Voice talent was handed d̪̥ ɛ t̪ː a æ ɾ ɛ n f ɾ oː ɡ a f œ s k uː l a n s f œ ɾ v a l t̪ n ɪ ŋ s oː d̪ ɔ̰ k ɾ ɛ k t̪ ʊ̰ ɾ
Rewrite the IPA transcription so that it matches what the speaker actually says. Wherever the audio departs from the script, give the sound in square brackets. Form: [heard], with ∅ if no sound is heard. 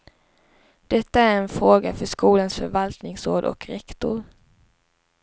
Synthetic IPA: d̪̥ ɛ t̪ː a æ ɾ ɛ n f ɾ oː ɡ a f œ [ʂ] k uː l a n s f œ ɾ v a l t̪ n ɪ ŋ s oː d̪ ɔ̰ k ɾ ɛ k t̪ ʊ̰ ɾ